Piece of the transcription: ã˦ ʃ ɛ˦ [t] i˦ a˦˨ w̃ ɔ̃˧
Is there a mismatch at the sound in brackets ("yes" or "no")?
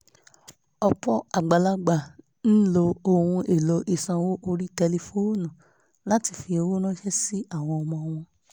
yes